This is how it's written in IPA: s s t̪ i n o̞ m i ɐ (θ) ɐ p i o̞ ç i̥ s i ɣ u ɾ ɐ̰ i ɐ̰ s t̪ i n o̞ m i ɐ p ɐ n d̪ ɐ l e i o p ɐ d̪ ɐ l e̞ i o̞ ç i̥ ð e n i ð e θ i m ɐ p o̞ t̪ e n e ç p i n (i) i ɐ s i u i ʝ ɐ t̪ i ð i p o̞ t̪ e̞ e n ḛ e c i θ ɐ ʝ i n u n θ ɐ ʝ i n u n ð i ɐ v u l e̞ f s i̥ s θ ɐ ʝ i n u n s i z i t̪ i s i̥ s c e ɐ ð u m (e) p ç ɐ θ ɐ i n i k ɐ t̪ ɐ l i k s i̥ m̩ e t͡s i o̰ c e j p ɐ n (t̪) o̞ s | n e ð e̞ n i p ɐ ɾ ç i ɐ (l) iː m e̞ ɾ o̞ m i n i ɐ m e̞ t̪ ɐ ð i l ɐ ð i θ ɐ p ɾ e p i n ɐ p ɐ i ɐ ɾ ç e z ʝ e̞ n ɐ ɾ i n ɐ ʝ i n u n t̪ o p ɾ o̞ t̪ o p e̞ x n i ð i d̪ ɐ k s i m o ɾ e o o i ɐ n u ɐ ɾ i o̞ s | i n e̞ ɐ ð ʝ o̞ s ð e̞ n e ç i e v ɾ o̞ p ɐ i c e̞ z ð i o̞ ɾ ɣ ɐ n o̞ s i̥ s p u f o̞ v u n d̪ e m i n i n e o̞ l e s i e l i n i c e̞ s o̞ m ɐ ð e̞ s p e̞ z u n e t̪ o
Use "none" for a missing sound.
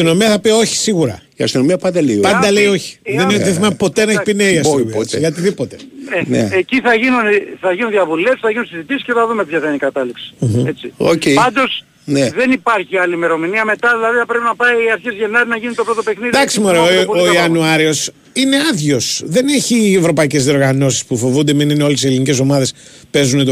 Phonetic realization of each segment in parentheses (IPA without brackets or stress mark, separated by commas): θ, e, e, d̪, l